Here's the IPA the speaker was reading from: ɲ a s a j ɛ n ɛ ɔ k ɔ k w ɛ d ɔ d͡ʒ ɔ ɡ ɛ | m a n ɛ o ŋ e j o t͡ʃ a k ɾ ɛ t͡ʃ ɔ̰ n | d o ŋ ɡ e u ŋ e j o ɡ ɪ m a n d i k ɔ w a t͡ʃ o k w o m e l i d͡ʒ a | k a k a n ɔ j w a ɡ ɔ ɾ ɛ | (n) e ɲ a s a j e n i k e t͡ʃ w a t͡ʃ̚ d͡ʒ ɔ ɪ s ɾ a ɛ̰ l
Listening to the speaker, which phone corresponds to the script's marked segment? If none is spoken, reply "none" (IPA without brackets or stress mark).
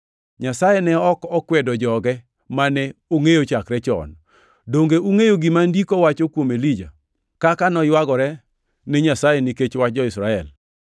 n